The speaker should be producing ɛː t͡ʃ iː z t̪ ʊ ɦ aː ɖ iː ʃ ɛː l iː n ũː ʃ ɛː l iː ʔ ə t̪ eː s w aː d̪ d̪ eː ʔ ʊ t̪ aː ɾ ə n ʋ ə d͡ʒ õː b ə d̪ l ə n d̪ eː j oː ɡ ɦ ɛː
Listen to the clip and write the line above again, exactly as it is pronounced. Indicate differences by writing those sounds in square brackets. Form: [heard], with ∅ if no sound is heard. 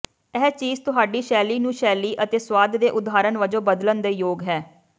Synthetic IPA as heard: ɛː t͡ʃ iː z t̪ ʊ ɦ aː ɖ iː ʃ ɛː l iː n ũː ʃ ɛː l iː ʔ ə t̪ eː s w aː d̪ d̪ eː ʔ ʊ [d̪] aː ɾ ə n ʋ ə d͡ʒ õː b ə d̪ l ə n d̪ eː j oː ɡ ɦ ɛː